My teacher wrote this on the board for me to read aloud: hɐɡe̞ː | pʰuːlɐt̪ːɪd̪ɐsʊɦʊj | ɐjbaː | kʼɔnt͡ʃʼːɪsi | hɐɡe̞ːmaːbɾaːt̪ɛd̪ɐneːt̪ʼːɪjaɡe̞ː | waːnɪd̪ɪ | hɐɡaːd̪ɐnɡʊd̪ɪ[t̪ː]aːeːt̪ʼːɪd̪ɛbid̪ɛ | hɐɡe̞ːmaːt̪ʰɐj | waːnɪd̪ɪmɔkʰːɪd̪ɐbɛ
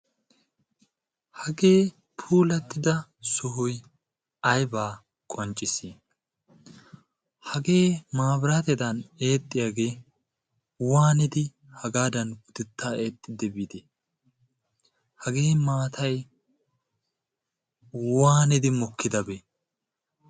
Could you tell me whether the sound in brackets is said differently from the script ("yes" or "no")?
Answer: no